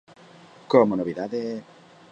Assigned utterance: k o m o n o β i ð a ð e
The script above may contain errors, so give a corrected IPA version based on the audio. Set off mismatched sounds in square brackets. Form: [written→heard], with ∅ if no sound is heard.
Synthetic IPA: k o m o n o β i ð a ð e